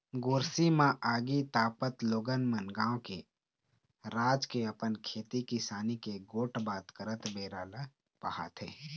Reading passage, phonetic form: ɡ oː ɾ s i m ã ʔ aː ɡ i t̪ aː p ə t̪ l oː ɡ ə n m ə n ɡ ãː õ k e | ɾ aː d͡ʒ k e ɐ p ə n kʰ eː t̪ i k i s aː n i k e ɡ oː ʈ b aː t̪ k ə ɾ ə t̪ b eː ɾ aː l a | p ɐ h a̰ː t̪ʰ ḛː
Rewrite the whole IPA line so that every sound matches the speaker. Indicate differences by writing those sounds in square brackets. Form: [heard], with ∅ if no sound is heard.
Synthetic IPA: ɡ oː ɾ s i m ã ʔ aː ɡ i t̪ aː p ə t̪ l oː ɡ ə n m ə n ɡ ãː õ k e | ɾ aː d͡ʒ k e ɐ p ə n kʰ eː t̪ i k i s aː n i k e ɡ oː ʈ b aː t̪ k ə ɾ ə t̪ b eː ɾ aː l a | p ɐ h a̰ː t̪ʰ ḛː